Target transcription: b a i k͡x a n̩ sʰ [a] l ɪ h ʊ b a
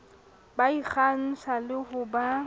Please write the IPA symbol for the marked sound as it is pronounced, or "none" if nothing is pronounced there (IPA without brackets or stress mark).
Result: a